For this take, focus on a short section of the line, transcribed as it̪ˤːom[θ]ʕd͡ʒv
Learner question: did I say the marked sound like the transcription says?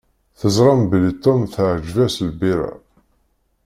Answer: yes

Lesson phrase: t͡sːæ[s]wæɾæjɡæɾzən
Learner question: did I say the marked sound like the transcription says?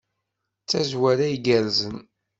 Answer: no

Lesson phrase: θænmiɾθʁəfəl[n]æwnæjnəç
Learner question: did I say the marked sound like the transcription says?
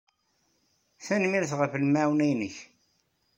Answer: no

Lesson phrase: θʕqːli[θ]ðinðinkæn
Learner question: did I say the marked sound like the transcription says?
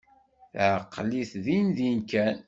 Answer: yes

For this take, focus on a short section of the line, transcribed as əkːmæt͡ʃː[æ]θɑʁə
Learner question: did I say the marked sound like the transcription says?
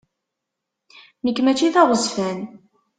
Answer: no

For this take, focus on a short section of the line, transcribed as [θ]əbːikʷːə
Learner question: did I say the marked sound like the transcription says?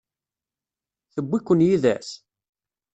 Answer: yes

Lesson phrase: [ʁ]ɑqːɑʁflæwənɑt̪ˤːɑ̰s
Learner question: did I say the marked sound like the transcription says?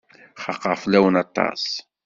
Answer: no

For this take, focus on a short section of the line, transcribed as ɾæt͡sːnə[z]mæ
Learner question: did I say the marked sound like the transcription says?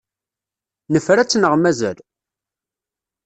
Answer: no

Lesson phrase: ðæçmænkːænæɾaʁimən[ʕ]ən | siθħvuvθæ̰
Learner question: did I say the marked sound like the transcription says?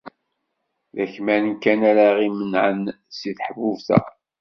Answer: yes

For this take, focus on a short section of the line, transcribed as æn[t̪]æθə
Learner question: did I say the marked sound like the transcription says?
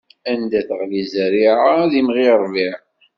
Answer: no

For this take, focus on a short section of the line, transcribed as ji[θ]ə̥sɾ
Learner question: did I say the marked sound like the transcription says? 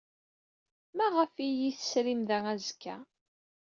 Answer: yes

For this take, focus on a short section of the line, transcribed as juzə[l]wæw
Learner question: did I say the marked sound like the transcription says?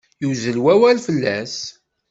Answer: yes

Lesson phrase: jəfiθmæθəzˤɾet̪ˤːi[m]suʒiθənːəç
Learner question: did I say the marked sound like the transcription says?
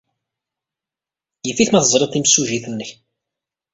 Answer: yes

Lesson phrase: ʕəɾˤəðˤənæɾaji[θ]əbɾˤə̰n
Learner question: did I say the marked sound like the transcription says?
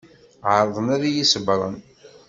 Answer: no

